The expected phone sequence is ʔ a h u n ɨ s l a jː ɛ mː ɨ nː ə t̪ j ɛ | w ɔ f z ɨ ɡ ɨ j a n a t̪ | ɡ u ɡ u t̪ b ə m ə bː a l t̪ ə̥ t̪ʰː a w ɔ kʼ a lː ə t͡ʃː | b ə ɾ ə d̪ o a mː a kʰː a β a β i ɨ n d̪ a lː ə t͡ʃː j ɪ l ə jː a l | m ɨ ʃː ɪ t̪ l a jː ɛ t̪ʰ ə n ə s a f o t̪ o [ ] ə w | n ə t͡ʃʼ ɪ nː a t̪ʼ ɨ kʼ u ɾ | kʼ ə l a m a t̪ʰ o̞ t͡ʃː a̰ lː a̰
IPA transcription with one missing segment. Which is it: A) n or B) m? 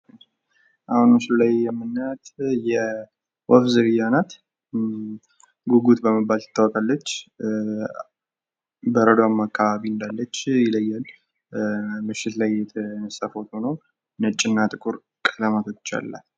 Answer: A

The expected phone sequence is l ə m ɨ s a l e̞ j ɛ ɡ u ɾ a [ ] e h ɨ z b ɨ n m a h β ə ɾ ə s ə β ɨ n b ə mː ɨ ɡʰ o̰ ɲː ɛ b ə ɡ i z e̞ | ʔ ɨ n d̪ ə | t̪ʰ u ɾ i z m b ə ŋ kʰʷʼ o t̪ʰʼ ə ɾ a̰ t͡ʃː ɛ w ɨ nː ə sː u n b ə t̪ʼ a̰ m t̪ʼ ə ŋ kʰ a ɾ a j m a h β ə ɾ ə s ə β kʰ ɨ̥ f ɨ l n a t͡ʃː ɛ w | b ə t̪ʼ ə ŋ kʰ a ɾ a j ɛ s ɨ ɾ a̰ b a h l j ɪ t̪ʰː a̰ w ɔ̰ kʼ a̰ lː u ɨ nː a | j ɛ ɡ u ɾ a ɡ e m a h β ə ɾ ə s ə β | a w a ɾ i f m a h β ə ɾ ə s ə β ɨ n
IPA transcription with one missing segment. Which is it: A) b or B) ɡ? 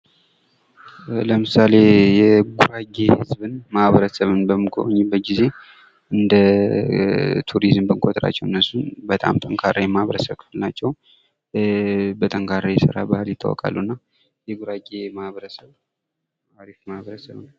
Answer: B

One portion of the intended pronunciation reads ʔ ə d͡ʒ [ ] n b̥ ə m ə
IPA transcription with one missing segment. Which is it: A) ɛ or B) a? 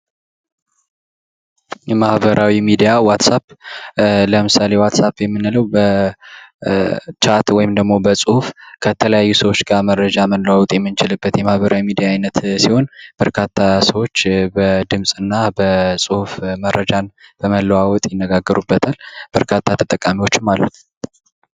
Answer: B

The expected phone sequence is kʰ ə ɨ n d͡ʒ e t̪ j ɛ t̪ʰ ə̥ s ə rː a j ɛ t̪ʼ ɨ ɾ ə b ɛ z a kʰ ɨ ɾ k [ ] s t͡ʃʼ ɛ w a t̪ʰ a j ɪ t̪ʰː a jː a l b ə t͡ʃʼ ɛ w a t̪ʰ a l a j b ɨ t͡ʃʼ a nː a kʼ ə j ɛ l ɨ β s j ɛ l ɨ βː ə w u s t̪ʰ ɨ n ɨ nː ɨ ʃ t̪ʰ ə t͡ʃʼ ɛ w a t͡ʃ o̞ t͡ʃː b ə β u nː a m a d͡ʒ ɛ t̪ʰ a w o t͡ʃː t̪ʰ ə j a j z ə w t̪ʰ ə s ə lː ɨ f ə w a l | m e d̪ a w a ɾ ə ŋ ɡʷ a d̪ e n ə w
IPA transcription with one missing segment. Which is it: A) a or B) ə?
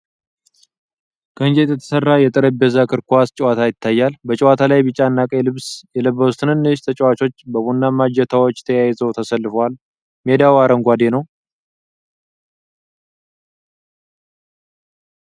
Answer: A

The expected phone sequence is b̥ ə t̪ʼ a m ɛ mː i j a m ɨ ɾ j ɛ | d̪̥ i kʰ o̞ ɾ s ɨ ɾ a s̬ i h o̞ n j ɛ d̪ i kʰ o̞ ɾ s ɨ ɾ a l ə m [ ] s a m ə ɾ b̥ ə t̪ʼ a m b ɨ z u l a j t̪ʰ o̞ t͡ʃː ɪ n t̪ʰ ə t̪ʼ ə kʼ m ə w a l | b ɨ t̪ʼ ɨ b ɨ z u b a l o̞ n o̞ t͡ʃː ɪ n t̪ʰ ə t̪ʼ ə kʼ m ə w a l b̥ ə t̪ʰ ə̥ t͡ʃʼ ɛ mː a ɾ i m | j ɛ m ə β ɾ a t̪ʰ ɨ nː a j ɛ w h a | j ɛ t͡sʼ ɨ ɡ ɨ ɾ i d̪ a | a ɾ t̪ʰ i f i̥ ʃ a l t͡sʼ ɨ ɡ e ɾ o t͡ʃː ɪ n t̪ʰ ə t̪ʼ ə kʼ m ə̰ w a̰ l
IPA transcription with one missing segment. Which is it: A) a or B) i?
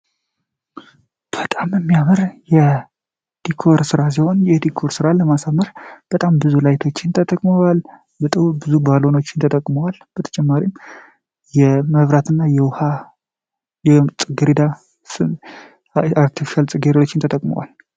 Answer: A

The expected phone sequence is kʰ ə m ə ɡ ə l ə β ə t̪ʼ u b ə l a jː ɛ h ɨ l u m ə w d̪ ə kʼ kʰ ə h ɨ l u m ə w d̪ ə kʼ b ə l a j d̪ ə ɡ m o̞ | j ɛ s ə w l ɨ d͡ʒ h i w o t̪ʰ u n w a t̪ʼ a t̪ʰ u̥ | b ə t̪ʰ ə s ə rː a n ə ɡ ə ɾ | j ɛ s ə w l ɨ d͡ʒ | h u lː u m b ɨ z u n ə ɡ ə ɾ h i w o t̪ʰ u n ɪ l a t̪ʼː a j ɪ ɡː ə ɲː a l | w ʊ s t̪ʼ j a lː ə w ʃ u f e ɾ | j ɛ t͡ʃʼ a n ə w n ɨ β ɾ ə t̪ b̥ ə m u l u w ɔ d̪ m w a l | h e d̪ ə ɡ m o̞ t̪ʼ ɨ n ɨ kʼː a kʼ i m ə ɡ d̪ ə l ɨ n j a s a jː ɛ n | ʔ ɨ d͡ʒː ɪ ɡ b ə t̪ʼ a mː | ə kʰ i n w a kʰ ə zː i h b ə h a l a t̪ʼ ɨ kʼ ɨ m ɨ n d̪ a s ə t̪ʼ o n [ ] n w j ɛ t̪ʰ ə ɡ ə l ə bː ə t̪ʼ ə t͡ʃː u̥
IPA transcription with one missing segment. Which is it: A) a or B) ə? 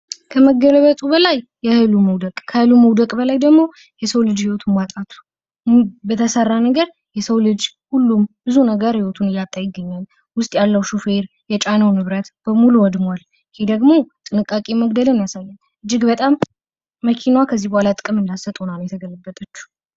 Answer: A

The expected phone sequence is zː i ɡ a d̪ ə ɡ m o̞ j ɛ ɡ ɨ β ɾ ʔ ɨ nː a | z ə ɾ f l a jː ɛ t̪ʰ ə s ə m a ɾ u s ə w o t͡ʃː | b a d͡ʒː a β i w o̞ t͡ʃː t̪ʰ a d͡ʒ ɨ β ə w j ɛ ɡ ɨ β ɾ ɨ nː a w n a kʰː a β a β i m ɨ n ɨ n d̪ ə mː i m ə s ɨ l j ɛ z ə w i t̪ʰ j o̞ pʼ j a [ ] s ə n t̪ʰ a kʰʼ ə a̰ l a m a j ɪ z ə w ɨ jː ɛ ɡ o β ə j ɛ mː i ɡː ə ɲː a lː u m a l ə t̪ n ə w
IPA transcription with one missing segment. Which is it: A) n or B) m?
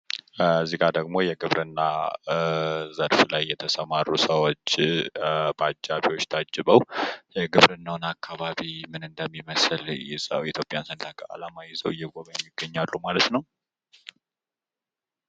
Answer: A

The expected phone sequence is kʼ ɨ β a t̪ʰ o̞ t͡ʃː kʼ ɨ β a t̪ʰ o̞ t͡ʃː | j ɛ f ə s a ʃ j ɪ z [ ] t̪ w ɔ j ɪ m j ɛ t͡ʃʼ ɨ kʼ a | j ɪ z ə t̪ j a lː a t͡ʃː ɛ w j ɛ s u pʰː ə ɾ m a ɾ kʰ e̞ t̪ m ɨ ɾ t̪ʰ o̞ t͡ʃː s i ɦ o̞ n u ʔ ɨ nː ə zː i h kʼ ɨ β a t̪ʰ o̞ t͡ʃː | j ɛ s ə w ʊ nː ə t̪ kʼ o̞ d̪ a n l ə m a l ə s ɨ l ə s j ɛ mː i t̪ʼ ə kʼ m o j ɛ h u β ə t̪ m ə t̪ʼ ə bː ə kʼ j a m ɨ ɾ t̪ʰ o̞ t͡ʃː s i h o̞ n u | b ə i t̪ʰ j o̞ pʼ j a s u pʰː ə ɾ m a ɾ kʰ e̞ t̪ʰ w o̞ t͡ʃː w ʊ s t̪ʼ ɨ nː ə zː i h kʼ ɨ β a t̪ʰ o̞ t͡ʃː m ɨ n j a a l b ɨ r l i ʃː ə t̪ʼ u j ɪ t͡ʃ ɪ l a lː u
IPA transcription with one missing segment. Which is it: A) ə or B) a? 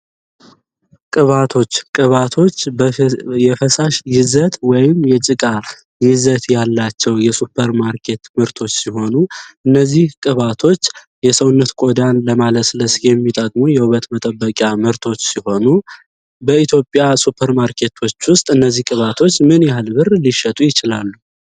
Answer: A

